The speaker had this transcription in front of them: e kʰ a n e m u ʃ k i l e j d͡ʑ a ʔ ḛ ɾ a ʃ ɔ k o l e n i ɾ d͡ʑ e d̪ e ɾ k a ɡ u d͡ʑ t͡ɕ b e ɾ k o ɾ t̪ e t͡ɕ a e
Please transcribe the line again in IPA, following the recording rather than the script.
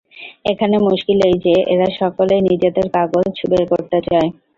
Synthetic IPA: e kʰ a n e m u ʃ k i l e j d͡ʑ e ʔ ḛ ɾ a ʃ ɔ k o l e n i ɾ d͡ʑ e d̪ e ɾ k a ɡ o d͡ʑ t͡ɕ b e ɾ k o ɾ t̪ e t͡ɕ a e

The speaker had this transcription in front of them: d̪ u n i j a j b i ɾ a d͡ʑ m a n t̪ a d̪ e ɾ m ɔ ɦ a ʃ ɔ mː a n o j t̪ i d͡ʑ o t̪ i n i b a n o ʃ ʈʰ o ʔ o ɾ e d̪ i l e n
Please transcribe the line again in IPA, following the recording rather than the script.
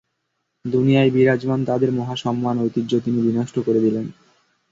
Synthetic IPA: d̪ u n i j a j b i ɾ a d͡ʑ m a n t̪ a d̪ e ɾ m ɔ ɦ a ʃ ɔ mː a n o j t̪ i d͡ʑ o t̪ i n i b i n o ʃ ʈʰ o k o ɾ e d̪ i l e n

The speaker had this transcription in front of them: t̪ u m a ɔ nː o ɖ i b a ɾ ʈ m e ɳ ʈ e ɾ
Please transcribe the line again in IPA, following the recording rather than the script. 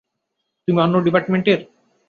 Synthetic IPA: t̪ u m i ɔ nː o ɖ i p a ɾ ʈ m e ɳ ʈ e ɾ

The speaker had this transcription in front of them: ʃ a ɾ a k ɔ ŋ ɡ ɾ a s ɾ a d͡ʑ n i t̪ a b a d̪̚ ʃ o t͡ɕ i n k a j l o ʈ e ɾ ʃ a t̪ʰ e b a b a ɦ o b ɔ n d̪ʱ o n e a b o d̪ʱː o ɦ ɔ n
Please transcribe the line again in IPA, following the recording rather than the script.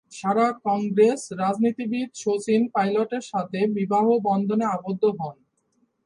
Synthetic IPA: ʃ a ɾ a k ɔ ŋ ɡ ɾ e s ɾ a d͡ʑ n i t̪ i b i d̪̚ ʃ o t͡ɕ i n p a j l o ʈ e ɾ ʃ a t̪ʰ e b i b a ɦ o b ɔ n d̪ʱ o n e a b o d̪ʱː o ɦ ɔ n

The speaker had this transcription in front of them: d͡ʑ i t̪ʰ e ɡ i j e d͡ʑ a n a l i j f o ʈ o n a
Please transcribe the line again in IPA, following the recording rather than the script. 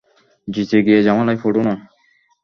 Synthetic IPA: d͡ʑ i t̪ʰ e ɡ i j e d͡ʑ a m a l a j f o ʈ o n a

